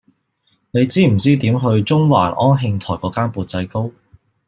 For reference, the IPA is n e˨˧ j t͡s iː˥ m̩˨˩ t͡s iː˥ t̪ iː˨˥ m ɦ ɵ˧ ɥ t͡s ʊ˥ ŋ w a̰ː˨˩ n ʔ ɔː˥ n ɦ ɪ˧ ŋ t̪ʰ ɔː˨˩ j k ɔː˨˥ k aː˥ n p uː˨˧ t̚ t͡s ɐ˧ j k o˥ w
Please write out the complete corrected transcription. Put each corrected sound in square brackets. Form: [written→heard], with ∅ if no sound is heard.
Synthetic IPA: n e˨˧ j t͡s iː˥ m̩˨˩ t͡s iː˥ t̪ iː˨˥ m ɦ ɵ˧ ɥ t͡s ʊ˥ ŋ w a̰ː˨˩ n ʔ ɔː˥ n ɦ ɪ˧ ŋ t̪ʰ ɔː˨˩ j k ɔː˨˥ k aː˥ n p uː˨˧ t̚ t͡s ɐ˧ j k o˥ w